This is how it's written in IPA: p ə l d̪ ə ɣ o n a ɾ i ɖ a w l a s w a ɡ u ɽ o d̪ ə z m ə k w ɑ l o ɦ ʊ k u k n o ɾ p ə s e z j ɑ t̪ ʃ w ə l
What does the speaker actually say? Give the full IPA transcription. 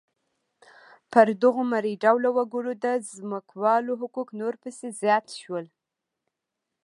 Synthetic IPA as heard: p ə ɾ d̪ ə ɣ o m a ɾ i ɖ a w l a w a ɡ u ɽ o d̪ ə z m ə k w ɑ l o ɦ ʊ k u k n o ɾ p ə s e z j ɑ t̪ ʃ w ə l